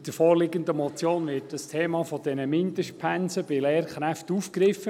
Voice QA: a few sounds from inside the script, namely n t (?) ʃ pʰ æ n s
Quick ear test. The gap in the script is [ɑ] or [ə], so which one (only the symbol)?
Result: ə